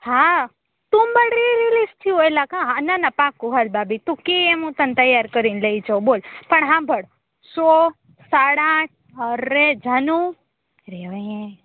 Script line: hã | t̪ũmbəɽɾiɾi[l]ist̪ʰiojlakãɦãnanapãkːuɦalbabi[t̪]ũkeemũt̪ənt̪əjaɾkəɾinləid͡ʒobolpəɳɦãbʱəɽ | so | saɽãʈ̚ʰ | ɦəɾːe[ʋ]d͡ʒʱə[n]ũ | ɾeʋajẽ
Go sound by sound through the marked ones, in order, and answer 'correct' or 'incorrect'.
correct, correct, incorrect: none, correct

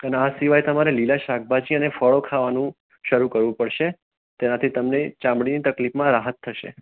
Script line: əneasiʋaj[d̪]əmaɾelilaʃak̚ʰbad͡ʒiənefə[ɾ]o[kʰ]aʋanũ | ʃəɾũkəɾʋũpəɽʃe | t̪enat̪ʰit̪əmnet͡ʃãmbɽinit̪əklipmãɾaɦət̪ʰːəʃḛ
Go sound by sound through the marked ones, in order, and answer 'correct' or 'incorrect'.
incorrect: t̪, incorrect: ɭ, correct

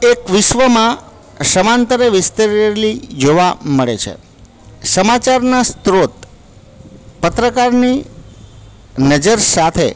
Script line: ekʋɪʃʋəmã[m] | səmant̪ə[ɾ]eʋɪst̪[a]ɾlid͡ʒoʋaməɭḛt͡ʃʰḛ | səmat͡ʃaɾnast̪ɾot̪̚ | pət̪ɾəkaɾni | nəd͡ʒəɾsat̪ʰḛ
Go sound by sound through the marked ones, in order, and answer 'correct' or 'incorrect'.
incorrect: none, correct, incorrect: ə

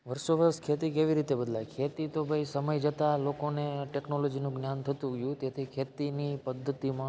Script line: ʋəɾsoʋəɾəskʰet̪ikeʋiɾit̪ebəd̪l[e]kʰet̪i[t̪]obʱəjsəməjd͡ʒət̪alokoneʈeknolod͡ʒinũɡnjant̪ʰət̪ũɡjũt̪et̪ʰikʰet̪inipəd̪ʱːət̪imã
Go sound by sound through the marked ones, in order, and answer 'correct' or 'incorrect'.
incorrect: a, correct

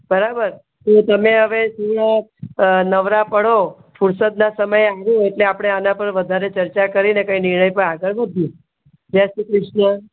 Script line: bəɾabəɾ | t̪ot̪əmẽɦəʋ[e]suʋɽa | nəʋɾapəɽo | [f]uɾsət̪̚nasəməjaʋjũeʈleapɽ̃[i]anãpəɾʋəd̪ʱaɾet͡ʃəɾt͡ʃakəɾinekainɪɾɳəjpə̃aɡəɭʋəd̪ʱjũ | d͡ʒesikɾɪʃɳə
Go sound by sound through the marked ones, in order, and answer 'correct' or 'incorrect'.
correct, correct, incorrect: e

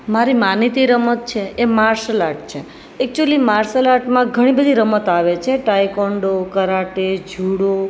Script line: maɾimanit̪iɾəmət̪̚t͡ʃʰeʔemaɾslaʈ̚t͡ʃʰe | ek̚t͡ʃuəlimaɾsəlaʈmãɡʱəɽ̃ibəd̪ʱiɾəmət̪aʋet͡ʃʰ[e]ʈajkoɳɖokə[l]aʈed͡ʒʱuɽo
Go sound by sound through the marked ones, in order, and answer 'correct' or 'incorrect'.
correct, incorrect: ɾ

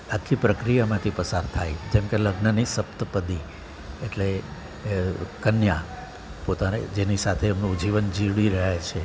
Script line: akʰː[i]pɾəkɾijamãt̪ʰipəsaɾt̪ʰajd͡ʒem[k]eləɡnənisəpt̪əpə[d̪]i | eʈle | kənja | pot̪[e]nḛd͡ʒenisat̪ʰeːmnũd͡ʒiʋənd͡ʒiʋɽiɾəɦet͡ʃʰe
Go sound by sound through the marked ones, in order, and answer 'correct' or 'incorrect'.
correct, correct, correct, incorrect: a

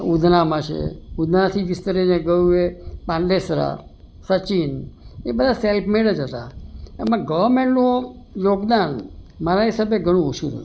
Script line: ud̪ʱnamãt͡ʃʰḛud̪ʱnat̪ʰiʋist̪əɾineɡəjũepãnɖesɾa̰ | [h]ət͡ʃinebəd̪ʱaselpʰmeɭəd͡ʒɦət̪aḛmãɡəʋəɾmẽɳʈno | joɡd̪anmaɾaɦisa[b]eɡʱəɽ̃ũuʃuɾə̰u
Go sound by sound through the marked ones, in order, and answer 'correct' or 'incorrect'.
incorrect: s, correct

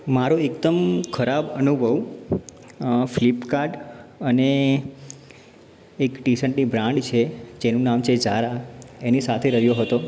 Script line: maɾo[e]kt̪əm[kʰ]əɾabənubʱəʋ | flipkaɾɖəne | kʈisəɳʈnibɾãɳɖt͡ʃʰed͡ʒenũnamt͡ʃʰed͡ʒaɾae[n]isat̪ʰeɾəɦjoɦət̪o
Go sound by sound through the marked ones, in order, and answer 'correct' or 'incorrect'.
correct, correct, correct

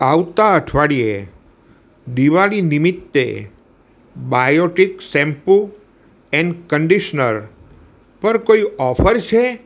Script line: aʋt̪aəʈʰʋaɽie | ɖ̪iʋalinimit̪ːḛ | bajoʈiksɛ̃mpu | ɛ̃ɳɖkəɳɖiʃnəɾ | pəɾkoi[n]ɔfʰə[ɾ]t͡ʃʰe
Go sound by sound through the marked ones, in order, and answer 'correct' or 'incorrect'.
incorrect: none, correct

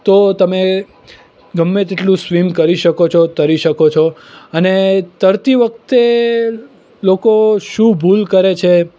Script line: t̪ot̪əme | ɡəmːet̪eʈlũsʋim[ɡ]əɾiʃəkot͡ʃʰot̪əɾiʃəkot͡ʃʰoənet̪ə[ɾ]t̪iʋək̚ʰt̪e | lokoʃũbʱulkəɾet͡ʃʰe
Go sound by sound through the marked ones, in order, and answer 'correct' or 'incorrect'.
incorrect: k, correct

